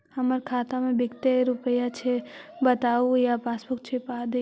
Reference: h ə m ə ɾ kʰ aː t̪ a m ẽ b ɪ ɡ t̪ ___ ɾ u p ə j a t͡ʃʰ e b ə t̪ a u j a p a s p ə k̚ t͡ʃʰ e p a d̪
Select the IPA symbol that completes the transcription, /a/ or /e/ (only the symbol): e